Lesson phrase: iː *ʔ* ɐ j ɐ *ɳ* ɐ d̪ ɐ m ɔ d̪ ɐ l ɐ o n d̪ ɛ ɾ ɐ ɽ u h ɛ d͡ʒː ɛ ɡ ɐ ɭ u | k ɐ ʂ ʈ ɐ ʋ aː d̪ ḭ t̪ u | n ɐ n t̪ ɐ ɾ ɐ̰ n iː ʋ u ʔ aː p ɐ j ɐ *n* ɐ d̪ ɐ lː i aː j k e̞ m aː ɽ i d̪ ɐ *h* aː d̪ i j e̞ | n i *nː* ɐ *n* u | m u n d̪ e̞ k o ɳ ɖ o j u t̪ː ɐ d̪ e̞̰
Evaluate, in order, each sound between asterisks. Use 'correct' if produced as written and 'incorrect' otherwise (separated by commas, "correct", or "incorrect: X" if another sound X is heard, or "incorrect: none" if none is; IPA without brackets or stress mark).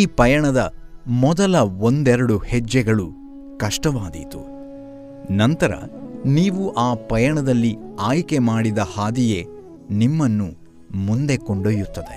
incorrect: p, correct, incorrect: ɳ, correct, incorrect: mː, incorrect: nː